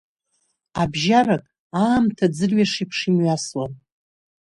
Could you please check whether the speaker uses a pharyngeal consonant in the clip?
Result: no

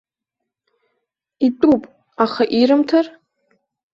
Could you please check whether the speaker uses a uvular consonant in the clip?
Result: yes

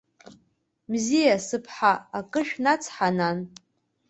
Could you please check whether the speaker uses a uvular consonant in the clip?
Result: no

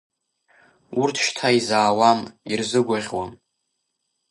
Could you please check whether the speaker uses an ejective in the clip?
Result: no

